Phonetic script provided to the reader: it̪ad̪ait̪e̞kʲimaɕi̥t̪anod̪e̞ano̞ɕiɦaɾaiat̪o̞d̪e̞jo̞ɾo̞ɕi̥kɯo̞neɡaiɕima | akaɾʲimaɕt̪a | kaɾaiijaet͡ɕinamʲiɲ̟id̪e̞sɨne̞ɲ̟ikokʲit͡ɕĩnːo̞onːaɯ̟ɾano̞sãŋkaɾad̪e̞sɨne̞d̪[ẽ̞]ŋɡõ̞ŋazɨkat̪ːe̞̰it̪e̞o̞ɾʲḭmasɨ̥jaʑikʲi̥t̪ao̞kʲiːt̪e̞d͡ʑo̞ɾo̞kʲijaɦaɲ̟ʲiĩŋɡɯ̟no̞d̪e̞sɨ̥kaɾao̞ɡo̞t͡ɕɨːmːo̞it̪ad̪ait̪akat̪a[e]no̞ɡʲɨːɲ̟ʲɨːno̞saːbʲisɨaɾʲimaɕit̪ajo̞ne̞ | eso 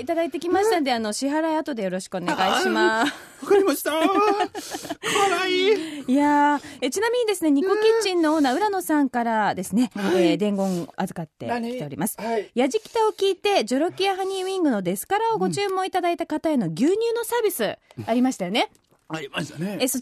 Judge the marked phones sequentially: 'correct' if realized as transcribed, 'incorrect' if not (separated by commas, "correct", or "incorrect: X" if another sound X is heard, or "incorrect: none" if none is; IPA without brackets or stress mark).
correct, correct